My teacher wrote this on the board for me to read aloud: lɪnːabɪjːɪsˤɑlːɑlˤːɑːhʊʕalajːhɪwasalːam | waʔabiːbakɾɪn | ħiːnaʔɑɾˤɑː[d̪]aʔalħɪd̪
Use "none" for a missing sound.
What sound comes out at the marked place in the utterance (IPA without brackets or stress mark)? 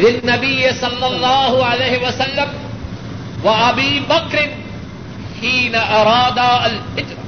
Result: d̪